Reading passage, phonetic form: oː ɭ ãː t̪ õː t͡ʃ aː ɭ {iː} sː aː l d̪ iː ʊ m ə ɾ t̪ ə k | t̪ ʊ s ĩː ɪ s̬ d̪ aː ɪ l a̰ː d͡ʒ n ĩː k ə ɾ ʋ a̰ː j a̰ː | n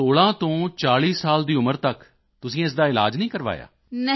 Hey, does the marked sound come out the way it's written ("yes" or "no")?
yes